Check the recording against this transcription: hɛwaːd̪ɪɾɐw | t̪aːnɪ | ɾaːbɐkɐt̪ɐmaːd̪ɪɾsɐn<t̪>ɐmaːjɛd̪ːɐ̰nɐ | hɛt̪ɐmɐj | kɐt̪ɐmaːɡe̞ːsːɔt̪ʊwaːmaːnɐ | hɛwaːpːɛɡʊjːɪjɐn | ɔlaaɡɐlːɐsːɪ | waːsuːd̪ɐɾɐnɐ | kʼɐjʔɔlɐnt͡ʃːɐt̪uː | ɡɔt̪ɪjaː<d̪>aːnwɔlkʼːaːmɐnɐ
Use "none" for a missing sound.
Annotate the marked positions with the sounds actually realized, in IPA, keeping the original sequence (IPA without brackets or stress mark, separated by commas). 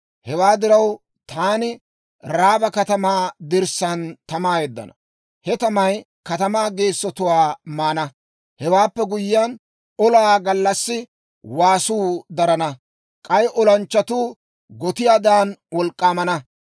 t̪, d̪